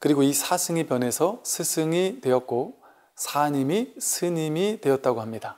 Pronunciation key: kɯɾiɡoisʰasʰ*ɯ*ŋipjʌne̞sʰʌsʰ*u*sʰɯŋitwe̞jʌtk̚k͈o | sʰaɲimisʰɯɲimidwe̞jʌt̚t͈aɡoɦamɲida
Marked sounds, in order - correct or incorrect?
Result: correct, incorrect: ɯ

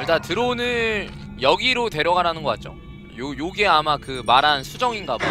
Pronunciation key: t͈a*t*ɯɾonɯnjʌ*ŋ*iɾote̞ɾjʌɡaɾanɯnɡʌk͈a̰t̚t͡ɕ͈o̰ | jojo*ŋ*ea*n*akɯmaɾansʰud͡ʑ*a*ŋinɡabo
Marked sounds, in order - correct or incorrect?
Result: correct, incorrect: ɡ, incorrect: ɡ, incorrect: m, incorrect: ʌ

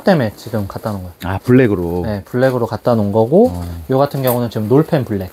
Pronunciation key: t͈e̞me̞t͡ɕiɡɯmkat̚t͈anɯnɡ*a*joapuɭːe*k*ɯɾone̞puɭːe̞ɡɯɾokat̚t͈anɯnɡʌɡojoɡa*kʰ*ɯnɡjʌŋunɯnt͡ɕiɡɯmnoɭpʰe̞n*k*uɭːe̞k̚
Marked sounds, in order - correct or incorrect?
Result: incorrect: ʌ, incorrect: ɡ, incorrect: tʰ, incorrect: p

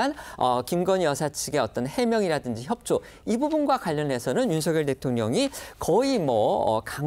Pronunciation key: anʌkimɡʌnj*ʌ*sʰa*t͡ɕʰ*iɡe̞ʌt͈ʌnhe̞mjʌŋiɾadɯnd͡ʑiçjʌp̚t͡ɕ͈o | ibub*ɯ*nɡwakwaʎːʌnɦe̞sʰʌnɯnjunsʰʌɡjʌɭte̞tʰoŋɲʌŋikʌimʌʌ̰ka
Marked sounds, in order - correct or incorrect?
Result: correct, correct, incorrect: u

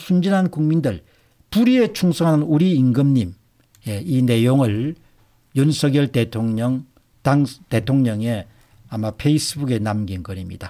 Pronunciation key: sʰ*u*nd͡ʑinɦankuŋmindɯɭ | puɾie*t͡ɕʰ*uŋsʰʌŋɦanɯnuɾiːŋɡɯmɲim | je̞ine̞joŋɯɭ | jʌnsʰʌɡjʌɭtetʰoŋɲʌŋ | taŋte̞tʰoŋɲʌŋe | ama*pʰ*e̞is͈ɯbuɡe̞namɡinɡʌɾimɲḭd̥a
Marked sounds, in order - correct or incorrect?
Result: correct, correct, correct

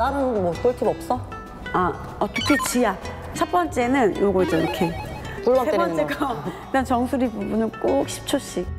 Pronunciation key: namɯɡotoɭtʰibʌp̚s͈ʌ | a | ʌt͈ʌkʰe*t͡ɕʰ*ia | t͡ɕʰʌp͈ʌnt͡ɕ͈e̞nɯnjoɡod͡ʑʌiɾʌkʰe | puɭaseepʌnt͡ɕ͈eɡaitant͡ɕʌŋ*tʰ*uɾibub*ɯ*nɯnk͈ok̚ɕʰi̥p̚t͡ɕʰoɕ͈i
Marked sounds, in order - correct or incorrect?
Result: incorrect: t͡ɕ, incorrect: sʰ, incorrect: u

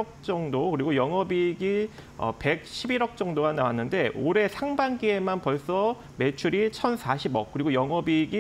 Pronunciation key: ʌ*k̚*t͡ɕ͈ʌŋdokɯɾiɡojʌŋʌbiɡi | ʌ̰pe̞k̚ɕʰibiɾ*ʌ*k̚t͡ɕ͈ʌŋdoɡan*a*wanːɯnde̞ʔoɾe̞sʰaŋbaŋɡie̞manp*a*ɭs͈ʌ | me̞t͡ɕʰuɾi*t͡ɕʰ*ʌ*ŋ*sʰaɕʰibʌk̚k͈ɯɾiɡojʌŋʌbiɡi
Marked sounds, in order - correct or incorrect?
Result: correct, correct, correct, incorrect: ʌ, correct, incorrect: n

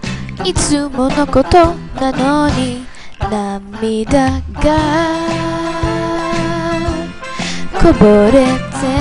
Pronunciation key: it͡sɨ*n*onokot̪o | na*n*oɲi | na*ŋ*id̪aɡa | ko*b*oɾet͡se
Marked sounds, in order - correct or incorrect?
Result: incorrect: m, correct, incorrect: m, correct

